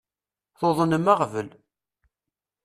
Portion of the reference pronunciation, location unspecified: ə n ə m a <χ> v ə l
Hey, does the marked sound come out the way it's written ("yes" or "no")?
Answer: no